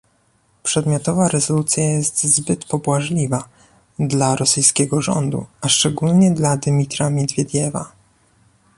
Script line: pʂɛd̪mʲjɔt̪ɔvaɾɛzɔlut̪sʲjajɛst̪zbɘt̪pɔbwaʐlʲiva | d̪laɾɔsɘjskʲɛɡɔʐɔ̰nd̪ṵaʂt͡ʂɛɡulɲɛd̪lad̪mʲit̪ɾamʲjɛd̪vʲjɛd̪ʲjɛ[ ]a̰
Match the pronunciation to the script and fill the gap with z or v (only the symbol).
v